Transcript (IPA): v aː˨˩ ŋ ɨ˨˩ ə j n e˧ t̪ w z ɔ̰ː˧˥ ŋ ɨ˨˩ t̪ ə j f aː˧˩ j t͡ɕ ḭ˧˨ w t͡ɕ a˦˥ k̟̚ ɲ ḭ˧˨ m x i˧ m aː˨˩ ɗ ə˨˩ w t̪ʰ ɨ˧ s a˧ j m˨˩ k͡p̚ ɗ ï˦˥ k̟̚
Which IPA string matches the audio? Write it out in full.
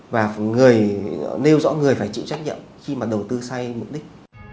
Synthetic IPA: v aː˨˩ ŋ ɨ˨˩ ə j n e˧ w z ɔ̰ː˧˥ ŋ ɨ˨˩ ə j f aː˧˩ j t͡ɕ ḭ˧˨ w t͡ɕ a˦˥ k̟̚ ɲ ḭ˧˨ m x i˧ m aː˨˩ ɗ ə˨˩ w t̪ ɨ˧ s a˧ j m˨˩ k͡p̚ ɗ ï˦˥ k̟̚

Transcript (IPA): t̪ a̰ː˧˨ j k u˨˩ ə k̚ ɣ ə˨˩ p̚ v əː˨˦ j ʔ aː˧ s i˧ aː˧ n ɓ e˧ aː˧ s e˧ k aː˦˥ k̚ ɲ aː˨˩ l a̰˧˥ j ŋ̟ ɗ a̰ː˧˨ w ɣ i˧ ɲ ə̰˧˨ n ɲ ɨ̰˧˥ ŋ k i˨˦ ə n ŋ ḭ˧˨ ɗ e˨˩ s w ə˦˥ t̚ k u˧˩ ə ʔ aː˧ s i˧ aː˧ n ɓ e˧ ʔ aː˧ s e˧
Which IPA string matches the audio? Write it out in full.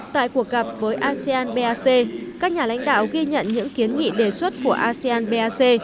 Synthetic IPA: t̪ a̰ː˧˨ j k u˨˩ ə k̚ ɣ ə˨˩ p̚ v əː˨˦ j ʔ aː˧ s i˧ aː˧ n ɓ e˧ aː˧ s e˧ k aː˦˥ k̚ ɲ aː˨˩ l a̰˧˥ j ŋ̟ ɗ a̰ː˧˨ w ɣ i˧ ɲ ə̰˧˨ n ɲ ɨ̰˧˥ ŋ k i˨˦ ə n ŋ ḭ˧˨ ɗ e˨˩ s w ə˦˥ t̚ k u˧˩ ə ʔ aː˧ s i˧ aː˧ n ɓ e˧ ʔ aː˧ s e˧

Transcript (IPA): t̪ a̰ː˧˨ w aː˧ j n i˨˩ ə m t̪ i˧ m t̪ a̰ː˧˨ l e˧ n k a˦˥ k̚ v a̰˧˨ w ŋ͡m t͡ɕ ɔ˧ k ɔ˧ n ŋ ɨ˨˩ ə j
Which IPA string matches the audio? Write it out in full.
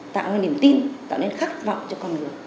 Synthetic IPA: t̪ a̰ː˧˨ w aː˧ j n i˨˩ ə m t̪ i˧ n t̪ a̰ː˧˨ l e˧ n x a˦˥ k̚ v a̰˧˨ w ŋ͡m t͡ɕ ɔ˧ k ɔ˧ n ŋ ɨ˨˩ ə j

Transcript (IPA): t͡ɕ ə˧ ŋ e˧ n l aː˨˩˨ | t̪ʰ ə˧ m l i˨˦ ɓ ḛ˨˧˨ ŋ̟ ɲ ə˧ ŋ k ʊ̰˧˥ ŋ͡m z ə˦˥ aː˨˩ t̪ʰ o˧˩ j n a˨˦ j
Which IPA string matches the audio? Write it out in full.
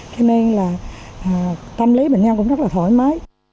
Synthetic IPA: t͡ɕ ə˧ n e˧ n l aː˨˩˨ | t̪ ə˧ m l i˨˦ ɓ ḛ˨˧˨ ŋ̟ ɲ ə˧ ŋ k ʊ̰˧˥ ŋ͡m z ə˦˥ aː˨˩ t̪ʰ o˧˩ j m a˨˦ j

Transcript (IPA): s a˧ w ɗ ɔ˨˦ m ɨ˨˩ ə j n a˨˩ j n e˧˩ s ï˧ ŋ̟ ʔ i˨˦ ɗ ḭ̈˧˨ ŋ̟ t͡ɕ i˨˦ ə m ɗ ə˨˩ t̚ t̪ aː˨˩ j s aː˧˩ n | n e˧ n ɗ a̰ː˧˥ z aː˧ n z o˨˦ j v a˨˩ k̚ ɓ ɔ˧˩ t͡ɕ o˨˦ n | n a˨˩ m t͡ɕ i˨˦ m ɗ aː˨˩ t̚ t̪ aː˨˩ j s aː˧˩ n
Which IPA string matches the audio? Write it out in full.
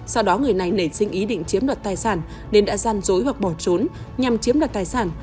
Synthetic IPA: s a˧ w ɗ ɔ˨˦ ŋ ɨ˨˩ ə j n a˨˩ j n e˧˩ s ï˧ ŋ̟ ʔ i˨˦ ɗ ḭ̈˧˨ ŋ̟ t͡ɕ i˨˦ ə m ɗ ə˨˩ t̚ t̪ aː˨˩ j s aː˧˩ n | n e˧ n ɗ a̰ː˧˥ z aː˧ n z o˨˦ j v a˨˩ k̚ ɓ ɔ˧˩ t͡ɕ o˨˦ n | ɲ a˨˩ m t͡ɕ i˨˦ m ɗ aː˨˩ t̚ t̪ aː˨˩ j s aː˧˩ n

